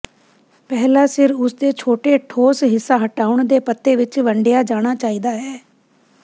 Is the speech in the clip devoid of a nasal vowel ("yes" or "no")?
yes